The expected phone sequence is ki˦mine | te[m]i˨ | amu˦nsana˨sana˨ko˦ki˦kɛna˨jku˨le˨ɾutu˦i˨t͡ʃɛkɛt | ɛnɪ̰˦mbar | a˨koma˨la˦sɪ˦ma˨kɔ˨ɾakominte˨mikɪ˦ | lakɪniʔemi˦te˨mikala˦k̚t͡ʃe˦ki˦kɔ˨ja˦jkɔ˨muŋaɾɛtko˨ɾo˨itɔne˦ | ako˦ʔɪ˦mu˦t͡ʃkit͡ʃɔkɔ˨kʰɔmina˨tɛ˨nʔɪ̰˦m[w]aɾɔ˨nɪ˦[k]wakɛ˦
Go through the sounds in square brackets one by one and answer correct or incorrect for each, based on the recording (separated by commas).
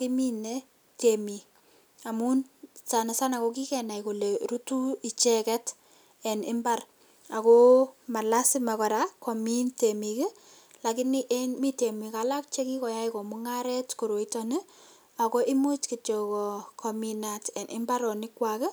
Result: correct, incorrect, correct